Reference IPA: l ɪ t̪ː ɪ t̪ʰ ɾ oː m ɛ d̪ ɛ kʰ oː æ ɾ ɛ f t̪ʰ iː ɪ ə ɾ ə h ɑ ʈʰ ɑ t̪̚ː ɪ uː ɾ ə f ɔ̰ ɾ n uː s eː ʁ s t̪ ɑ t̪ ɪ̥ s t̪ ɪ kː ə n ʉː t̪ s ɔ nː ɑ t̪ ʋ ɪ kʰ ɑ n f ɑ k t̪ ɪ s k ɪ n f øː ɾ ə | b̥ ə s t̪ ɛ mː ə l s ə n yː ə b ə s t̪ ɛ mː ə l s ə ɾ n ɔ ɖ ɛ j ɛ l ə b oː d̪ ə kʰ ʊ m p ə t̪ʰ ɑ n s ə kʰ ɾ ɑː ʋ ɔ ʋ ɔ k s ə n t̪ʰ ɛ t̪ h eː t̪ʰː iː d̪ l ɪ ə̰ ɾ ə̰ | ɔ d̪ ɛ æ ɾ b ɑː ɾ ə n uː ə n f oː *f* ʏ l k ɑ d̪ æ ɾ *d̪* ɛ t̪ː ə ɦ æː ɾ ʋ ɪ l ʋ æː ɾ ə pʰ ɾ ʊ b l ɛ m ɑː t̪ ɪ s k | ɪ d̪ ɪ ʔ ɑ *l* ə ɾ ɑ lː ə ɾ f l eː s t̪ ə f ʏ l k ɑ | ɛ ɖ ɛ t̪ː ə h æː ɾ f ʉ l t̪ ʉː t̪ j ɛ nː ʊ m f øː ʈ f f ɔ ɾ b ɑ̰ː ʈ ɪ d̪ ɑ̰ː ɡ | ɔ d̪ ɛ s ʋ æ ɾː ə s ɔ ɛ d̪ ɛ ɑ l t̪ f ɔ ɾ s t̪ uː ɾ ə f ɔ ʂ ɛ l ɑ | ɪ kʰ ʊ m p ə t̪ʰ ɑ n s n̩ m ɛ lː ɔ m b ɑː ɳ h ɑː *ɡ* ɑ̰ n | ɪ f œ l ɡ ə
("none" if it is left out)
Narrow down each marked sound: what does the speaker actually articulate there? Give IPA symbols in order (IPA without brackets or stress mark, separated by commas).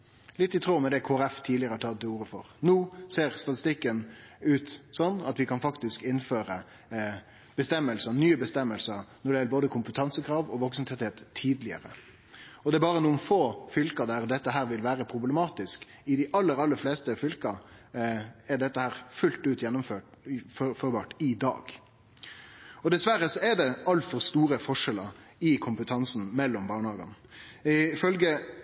f, d̪, lː, ɡ